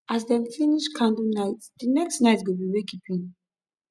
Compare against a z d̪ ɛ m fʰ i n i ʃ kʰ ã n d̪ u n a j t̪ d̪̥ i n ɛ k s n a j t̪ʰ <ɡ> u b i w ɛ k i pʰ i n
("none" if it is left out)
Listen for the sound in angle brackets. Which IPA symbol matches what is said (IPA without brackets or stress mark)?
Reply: ɡ